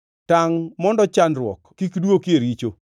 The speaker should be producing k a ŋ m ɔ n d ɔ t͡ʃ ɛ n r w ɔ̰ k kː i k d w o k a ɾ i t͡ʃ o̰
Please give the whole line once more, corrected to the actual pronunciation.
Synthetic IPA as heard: t a ŋ m ɔ n d ɔ t͡ʃ a n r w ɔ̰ k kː i k d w o k e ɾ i t͡ʃ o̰

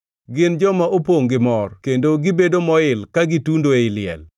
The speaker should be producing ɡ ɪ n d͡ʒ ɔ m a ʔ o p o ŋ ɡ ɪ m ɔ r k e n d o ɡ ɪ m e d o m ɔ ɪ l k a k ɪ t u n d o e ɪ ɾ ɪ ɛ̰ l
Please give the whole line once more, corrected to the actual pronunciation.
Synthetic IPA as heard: ɡ ɪ n d͡ʒ ɔ m a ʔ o p o ŋ ɡ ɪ m ɔ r k e n d o ɡ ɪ b e d o m ɔ ɪ l k a ɡ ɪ t u n d o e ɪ l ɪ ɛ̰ l

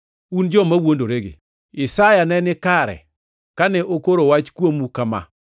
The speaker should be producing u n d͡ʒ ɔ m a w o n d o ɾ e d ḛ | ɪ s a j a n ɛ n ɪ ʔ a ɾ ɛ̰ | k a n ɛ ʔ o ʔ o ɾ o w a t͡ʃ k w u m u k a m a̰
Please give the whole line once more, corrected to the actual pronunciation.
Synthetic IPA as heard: u n d͡ʒ ɔ m a w o n d o ɾ e ɡ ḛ | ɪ s a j a n ɛ n ɪ k a ɾ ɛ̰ | k a n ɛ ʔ o k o ɾ o w a t͡ʃ k w o m u k a m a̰

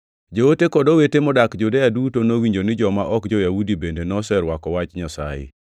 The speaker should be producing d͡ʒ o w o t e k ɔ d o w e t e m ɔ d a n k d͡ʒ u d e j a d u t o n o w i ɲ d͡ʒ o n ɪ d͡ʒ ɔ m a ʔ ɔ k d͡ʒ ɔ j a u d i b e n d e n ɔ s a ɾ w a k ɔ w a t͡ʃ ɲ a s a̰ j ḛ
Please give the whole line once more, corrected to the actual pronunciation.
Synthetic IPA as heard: d͡ʒ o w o t e k ɔ d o w e t e m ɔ d a k d͡ʒ u d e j a d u t o n o w i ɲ d͡ʒ o n ɪ d͡ʒ ɔ m a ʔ ɔ k d͡ʒ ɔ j a u d i b e n d e n ɔ s ɛ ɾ w a k ɔ w a t͡ʃ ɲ a s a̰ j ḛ

